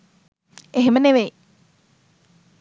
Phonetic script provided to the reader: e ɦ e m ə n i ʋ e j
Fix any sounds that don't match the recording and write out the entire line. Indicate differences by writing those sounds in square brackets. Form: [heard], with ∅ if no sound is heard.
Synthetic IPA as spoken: e ɦ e m ə n [e] ʋ e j